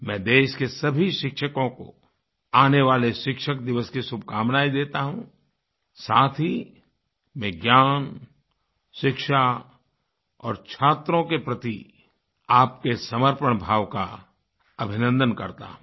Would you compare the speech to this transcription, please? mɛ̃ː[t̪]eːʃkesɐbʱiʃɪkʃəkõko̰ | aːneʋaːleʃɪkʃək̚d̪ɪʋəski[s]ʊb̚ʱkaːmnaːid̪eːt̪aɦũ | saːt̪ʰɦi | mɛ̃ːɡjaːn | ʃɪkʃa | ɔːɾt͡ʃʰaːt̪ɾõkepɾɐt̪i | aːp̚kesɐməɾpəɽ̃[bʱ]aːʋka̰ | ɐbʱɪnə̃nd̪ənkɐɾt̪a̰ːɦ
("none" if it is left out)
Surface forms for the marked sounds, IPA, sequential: d̪, s, bʱ

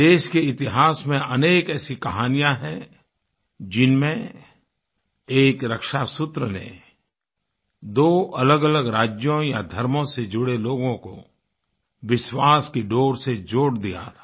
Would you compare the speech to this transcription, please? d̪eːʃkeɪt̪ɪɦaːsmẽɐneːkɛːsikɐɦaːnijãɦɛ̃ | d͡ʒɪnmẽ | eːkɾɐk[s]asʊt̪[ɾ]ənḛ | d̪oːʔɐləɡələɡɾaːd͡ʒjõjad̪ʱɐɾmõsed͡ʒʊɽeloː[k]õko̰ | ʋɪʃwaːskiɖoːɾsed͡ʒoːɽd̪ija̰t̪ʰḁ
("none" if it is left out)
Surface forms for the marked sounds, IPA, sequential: ʃ, ɾ, ɡ

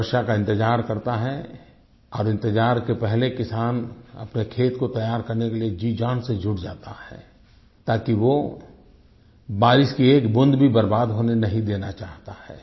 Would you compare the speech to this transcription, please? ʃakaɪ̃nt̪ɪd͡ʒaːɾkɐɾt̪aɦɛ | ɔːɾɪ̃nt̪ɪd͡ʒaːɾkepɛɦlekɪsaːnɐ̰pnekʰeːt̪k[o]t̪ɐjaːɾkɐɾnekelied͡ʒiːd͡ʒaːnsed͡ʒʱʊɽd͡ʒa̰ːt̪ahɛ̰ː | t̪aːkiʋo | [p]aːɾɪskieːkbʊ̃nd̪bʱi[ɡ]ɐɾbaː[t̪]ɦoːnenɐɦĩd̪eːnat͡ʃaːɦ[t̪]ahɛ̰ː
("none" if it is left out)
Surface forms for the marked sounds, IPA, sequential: o, b, b, d̪, t̪

